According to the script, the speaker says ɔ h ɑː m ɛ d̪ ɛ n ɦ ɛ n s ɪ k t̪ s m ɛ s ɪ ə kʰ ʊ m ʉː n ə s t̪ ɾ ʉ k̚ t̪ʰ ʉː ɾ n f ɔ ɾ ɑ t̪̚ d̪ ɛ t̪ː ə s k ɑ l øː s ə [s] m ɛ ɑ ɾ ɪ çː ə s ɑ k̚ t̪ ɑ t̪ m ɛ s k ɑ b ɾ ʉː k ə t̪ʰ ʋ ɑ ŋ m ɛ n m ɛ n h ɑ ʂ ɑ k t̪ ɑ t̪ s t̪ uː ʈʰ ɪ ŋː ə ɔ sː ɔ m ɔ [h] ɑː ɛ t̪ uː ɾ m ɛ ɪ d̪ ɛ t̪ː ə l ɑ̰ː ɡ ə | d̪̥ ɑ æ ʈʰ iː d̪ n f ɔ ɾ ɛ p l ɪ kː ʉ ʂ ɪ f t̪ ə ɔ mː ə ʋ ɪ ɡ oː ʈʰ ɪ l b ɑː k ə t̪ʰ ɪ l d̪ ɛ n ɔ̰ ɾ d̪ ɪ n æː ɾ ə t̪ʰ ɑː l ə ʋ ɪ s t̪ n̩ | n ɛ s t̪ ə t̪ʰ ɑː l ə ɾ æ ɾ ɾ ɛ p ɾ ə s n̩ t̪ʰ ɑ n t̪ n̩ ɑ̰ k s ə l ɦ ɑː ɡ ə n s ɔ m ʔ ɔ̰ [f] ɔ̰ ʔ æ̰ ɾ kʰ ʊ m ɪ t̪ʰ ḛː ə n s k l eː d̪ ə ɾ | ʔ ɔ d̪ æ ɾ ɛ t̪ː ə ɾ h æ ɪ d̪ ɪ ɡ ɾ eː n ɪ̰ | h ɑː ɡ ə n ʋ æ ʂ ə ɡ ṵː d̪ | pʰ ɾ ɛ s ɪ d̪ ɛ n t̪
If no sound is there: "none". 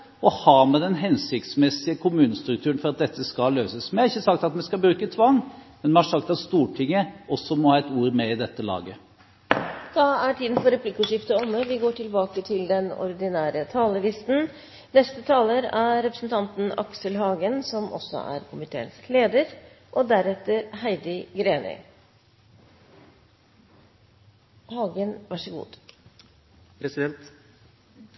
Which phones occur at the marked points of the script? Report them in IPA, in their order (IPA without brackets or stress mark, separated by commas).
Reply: s, h, s